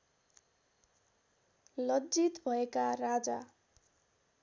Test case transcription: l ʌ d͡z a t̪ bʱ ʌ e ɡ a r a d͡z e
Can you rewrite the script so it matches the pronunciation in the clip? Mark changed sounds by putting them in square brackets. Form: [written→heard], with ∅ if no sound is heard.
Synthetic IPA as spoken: l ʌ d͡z [a→i] t̪ bʱ ʌ e [ɡ→k] a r a d͡z [e→a]